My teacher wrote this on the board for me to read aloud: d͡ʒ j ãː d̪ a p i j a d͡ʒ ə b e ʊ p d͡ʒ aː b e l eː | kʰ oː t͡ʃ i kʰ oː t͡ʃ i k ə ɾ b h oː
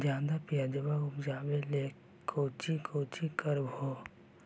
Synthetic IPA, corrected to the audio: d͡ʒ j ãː d̪ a p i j a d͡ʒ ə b a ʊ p d͡ʒ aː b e l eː | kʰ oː t͡ʃ i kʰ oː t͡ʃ i k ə ɾ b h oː